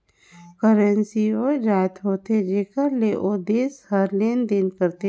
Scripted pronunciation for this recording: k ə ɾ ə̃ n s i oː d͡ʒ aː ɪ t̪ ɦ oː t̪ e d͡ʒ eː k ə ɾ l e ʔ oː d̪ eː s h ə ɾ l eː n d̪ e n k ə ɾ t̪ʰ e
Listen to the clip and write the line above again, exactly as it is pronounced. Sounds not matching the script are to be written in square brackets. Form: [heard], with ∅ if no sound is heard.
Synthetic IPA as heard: k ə ɾ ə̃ n s i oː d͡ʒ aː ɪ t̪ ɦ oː t̪ e d͡ʒ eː k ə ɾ l e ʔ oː d̪ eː s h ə ɾ l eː n d̪ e n k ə ɾ [t̪] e